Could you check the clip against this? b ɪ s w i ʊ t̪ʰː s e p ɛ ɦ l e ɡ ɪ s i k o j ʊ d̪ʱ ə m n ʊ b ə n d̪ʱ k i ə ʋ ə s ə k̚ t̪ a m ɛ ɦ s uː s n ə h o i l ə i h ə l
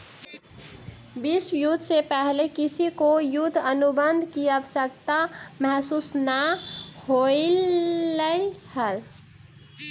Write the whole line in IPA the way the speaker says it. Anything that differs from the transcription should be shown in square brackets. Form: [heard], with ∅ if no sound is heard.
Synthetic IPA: b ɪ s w [j] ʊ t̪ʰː s e p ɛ ɦ l e [k] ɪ s i k o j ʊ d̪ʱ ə [∅] n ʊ b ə n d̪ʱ k i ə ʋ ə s ə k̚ t̪ a m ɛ ɦ s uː s n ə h o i l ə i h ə l